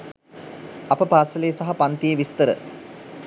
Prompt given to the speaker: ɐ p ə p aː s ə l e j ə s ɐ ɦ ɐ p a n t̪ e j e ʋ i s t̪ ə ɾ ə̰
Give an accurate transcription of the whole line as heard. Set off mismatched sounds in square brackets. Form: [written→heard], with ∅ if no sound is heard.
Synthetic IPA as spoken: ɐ p ə p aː s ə l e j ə s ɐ ɦ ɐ p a n t̪ [e→i] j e ʋ i s t̪ ə ɾ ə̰